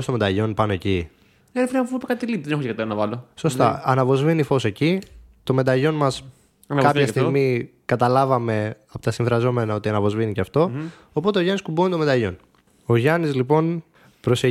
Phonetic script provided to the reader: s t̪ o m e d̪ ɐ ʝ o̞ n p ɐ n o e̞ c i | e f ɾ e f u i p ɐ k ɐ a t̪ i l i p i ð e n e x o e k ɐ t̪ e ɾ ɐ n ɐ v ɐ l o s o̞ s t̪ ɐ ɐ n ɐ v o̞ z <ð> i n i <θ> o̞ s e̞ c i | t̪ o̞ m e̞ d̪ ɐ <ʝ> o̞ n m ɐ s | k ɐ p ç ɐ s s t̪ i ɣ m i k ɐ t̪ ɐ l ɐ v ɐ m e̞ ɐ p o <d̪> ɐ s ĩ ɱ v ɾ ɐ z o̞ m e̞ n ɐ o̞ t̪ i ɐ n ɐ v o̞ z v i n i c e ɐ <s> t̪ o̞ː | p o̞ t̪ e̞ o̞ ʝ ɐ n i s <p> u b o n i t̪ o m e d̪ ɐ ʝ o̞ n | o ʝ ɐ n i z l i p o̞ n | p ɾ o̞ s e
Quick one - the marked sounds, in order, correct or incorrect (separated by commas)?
incorrect, incorrect, correct, incorrect, incorrect, incorrect